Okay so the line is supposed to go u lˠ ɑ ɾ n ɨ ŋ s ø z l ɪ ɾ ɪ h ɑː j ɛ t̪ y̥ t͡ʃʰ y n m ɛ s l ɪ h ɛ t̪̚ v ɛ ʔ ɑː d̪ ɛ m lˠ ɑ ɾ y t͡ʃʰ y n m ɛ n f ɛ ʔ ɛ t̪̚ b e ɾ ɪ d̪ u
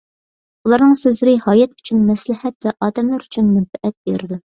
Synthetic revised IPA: u lˠ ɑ ɾ n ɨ ŋ s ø z l ɪ ɾ ɪ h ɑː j ɛ t̪ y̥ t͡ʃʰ y n m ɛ s l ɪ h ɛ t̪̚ v ɛ ʔ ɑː d̪ ɛ m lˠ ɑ ɾ y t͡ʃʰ y n m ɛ n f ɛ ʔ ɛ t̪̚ b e ɾ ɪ d̪ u